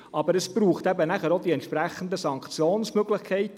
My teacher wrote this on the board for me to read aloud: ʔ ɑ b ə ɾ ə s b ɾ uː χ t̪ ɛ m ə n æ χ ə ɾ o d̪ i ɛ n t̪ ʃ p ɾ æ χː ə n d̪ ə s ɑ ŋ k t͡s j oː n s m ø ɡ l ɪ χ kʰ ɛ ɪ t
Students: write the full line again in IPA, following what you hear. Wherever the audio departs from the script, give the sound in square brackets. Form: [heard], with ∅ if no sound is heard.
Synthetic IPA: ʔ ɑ b ə ɾ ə s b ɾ uː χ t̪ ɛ [b] ə n æ χ ə ɾ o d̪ i ɛ n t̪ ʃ p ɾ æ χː ə n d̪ ə s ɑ ŋ k t͡s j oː n s m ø ɡ l ɪ χ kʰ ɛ ɪ t